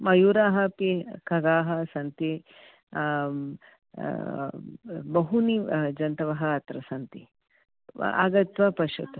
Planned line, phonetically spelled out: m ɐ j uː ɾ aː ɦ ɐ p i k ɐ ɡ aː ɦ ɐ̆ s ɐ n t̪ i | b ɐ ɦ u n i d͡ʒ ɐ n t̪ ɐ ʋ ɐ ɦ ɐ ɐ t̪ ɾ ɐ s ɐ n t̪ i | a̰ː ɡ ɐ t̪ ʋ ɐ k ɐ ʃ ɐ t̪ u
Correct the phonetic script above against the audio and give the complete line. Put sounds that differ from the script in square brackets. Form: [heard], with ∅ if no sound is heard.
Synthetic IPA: m ɐ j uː ɾ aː ɦ ɐ p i k ɐ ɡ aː ɦ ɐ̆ s ɐ n t̪ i | b ɐ ɦ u n i d͡ʒ ɐ n t̪ ɐ ʋ ɐ ɦ ɐ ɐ t̪ ɾ ɐ s ɐ n t̪ i | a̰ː ɡ ɐ t̪ ʋ ɐ [p] ɐ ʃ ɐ t̪ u